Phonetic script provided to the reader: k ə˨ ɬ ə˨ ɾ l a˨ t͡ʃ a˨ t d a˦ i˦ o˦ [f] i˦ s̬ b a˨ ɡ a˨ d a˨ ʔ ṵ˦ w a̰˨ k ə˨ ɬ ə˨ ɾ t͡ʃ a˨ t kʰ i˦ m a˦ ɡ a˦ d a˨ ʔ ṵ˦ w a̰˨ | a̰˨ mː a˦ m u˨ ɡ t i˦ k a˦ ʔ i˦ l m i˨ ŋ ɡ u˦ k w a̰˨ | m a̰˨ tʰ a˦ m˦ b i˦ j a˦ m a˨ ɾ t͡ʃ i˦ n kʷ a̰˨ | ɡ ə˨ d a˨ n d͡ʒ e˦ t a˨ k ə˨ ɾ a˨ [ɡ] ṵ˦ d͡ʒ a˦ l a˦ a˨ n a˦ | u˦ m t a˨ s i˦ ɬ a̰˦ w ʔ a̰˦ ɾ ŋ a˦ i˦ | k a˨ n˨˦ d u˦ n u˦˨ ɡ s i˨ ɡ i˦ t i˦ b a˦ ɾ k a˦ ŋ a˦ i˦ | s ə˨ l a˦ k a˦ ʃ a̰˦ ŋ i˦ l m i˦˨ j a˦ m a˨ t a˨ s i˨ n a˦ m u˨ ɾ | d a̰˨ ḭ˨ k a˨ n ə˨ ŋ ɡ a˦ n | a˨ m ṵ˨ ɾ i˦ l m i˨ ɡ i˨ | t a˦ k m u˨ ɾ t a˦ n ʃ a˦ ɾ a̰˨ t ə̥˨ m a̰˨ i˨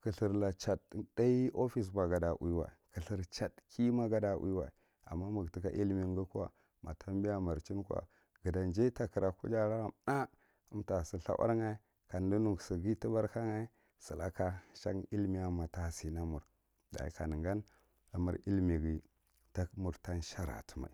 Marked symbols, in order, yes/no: yes, no

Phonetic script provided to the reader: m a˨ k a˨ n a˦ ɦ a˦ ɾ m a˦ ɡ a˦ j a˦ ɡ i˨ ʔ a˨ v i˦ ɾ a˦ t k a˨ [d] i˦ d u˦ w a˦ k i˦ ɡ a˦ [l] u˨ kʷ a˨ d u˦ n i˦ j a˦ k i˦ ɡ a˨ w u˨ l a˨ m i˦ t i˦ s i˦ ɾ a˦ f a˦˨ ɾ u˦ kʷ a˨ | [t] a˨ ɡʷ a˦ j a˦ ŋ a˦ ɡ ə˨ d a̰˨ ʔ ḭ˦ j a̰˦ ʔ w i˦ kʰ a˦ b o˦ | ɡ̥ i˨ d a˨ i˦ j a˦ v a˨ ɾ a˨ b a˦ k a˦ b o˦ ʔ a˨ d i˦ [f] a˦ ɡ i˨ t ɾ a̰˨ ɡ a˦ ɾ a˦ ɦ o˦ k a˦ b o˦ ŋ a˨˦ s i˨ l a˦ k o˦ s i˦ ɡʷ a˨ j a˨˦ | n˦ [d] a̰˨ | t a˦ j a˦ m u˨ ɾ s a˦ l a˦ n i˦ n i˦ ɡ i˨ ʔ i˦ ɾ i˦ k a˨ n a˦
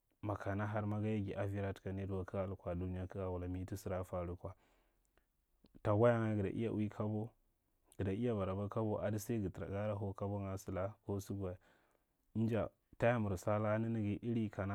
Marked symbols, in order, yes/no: no, yes, yes, no, no

